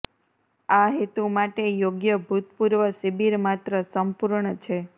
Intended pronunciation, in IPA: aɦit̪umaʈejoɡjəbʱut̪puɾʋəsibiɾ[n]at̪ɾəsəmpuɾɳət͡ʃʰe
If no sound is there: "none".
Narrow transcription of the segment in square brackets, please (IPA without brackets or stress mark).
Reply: m